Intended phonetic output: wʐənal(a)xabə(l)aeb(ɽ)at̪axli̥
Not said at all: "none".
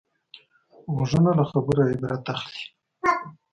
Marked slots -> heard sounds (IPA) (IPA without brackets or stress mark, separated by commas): a, ɾ, ɾ